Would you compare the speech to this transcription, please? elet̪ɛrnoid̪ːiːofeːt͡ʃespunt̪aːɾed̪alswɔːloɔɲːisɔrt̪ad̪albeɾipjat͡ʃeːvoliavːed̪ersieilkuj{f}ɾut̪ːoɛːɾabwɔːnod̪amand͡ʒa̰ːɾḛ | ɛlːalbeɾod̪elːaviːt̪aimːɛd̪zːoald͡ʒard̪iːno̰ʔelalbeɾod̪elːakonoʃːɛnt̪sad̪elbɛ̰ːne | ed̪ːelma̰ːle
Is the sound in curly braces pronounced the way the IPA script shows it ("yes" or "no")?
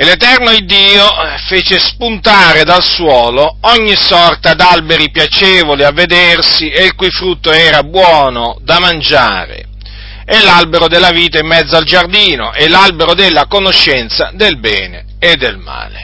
yes